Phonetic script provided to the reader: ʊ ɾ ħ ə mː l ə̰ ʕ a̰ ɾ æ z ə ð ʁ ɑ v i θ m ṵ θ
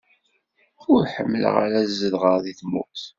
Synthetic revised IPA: ʊ ɾ ħ ə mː l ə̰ ʁ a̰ ɾ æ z ə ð ʁ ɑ ð i θ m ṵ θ